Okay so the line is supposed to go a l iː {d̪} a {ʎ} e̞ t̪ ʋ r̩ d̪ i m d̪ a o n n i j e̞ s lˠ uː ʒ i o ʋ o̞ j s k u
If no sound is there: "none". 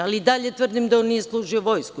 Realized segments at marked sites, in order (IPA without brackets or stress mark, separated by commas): d̪, ʎ